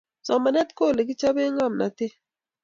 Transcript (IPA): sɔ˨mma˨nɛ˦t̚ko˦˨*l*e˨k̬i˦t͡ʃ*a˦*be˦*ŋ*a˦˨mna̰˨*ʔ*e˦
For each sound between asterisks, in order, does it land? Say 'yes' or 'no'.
yes, yes, yes, no

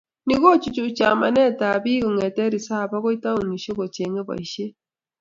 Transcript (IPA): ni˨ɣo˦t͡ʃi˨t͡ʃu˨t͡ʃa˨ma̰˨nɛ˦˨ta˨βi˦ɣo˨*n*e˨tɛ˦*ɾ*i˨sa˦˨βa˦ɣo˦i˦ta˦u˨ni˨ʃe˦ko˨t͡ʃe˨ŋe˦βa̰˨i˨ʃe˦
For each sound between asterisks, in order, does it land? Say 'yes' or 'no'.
no, yes

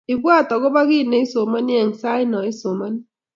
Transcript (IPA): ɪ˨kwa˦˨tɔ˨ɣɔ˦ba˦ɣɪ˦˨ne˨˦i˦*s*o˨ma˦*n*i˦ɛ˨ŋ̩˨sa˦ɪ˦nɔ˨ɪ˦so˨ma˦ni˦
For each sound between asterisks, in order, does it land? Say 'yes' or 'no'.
yes, yes

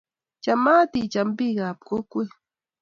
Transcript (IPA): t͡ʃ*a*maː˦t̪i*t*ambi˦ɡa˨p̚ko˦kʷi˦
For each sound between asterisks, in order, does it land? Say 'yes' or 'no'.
yes, no

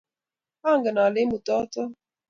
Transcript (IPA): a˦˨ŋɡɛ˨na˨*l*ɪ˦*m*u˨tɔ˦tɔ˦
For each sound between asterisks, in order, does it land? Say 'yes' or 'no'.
yes, yes

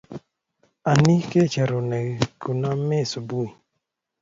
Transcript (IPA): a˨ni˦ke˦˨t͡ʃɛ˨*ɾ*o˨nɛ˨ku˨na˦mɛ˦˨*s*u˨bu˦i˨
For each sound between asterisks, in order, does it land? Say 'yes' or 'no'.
yes, yes

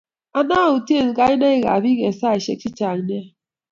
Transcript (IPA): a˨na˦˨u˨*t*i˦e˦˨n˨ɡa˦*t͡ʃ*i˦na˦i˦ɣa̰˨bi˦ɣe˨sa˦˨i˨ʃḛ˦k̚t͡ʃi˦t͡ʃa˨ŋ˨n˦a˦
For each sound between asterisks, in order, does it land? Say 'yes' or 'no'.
yes, no

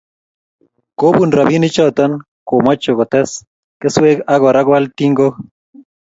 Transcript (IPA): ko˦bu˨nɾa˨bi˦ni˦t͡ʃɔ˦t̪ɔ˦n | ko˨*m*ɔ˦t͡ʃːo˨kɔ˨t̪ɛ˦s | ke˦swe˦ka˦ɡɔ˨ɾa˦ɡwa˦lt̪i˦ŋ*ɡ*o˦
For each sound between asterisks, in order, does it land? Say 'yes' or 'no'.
yes, yes

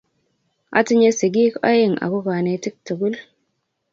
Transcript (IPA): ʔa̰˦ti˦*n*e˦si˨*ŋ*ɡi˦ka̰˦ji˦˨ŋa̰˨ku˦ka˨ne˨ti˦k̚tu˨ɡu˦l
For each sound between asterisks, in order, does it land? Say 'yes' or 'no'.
no, no

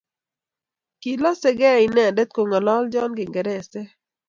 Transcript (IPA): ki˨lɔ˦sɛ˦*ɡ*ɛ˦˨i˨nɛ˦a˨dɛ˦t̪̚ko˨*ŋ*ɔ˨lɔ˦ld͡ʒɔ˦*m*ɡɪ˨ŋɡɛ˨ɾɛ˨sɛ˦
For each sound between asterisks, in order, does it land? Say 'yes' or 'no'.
yes, yes, no

